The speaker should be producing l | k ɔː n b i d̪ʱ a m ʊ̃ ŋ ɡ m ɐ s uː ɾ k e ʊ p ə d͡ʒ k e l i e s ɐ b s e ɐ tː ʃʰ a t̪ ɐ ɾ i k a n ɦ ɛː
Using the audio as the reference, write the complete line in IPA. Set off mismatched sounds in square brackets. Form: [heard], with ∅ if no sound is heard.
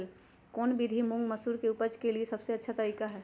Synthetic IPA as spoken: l | k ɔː n b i d̪ʱ [i] m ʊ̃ ŋ ɡ m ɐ s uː ɾ k e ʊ p ə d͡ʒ k e l i e s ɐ b s e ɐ tː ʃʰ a t̪ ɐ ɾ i k a [∅] ɦ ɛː